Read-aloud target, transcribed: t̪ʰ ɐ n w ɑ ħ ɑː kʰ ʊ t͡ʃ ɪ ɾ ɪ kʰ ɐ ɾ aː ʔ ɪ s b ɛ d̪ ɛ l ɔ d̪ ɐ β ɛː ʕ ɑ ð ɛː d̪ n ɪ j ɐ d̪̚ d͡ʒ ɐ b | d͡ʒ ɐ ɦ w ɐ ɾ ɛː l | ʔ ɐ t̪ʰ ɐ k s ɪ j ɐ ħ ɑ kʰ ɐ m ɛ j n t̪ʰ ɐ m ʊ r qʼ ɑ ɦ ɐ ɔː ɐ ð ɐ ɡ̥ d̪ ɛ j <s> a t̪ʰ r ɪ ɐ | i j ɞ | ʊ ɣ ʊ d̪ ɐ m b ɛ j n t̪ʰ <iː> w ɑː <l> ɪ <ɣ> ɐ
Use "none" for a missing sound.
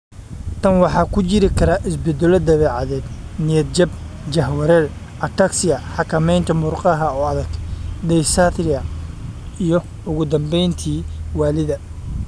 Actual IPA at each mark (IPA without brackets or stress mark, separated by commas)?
s, iː, l, ð